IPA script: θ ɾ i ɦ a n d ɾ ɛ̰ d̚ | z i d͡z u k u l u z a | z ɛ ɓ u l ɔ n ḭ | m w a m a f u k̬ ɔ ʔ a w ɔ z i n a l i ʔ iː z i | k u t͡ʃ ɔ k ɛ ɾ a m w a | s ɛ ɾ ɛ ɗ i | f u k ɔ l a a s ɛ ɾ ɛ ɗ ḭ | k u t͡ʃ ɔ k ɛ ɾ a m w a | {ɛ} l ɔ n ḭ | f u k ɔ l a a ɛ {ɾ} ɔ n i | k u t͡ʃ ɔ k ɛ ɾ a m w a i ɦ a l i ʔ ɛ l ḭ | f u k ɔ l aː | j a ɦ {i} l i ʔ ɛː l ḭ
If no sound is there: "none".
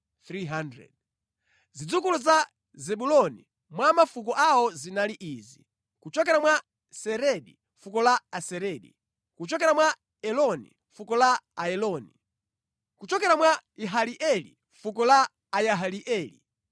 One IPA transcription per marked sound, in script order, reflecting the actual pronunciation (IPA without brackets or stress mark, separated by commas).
ɛ, l, a